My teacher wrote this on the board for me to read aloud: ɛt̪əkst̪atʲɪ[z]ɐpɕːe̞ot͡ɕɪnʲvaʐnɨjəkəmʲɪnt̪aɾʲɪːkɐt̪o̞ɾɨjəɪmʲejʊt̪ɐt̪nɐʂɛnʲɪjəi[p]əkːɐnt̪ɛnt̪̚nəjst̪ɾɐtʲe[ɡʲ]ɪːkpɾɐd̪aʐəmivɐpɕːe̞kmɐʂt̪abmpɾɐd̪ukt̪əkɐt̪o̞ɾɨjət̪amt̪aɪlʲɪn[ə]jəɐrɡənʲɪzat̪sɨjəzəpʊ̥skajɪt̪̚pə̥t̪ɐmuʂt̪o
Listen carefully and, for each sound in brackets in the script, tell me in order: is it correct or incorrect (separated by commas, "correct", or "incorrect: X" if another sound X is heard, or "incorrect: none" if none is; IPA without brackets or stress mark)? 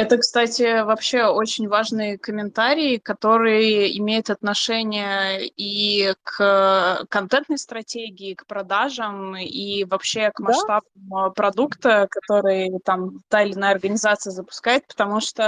incorrect: v, incorrect: k, correct, incorrect: a